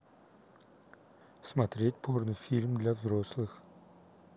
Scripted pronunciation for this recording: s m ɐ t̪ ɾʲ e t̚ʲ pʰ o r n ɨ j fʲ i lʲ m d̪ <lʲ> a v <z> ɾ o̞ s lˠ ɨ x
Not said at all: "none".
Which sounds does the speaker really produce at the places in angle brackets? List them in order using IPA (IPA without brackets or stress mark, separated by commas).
lʲ, z